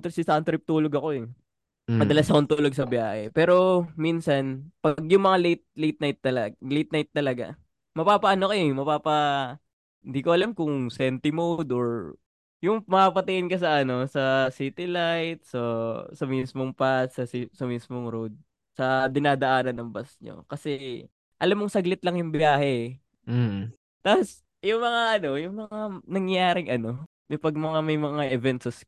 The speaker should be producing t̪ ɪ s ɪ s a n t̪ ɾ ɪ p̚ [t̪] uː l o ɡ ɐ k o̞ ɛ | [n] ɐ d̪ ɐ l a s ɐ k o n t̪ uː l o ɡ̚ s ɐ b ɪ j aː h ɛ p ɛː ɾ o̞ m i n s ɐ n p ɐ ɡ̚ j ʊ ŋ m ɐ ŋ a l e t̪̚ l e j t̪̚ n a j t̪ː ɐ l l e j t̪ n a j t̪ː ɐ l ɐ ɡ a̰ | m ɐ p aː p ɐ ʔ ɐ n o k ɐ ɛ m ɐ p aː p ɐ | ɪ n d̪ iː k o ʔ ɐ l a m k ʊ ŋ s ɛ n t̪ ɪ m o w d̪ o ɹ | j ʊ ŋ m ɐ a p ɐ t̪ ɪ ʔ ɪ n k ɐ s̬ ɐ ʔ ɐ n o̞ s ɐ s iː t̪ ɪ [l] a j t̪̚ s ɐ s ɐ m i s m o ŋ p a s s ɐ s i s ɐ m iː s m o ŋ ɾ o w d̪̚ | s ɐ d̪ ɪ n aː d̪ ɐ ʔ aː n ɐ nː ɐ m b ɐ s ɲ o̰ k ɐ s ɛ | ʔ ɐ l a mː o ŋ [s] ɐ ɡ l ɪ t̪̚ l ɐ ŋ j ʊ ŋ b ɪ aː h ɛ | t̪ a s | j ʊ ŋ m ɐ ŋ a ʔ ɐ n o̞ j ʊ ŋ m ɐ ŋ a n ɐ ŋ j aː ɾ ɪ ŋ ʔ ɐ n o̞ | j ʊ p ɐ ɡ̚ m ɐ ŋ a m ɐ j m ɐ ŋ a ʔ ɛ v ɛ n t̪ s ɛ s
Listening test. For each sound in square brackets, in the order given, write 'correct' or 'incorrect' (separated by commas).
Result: correct, incorrect, correct, correct